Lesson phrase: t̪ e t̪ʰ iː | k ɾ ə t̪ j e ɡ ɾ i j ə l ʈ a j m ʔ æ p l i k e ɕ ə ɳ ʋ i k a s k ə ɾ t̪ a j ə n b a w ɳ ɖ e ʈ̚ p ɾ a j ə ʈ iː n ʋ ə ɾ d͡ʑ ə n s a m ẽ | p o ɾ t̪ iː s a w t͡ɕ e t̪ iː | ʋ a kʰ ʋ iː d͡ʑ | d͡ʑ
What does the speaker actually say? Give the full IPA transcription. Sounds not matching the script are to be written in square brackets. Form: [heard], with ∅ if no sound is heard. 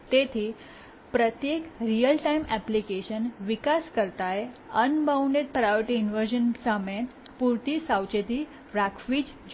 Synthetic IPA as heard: t̪ e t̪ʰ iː | [p] ɾ ə t̪ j e [k] ɾ i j ə l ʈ a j m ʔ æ p l i k e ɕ ə [n] ʋ i k a s k ə ɾ t̪ a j ə n b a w ɳ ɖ e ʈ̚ p ɾ a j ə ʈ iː n ʋ ə ɾ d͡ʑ ə n s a m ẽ | p [u] ɾ t̪ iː s a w t͡ɕ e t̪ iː | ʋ a kʰ ʋ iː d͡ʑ | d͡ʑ